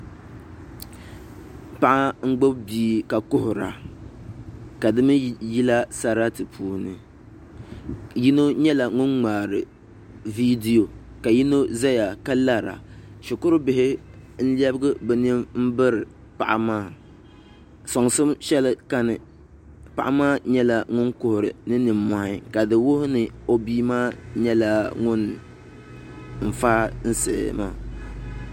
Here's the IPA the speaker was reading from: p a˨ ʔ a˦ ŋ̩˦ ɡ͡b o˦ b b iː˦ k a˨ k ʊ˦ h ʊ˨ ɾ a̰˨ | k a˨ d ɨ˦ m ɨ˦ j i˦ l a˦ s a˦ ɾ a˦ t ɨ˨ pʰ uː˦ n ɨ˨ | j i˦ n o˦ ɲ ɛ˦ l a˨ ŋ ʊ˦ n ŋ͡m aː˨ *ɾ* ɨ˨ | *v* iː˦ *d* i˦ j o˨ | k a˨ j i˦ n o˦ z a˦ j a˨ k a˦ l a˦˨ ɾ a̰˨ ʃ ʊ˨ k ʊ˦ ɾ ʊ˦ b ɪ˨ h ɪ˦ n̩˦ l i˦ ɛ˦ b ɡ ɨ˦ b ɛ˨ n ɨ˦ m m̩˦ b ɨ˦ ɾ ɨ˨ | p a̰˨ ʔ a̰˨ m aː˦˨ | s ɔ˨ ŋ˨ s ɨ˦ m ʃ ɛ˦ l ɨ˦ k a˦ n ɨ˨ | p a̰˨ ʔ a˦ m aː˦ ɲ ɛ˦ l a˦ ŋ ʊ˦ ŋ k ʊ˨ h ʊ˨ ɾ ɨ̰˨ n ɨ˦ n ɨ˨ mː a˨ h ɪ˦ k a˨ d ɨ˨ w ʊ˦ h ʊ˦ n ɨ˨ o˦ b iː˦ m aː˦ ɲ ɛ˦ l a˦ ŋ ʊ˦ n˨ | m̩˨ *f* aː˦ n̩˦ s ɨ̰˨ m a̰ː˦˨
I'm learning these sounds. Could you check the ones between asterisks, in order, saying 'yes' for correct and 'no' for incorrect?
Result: yes, yes, yes, yes

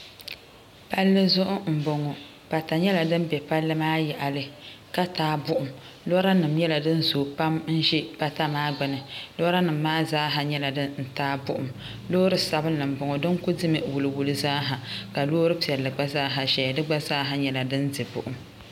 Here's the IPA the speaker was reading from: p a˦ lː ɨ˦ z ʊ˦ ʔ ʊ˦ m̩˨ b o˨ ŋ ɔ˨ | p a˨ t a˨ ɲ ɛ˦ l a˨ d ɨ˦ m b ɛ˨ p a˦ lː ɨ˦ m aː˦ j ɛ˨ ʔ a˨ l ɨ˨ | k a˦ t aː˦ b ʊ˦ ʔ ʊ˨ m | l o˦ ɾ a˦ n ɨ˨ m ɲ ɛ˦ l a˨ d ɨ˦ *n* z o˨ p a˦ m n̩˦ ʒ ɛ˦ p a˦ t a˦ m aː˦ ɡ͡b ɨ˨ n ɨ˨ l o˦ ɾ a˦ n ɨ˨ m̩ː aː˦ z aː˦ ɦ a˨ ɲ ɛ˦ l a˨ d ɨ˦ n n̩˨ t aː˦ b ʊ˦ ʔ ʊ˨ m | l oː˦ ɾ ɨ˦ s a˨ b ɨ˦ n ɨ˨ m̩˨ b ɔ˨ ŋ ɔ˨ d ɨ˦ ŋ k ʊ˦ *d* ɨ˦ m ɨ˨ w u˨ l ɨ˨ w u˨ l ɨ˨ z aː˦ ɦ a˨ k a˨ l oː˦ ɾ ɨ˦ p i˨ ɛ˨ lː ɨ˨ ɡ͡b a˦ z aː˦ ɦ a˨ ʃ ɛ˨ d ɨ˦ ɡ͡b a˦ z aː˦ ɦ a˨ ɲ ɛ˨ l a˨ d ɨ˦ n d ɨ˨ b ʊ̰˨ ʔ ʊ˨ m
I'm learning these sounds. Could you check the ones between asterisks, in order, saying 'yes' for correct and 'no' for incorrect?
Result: yes, yes

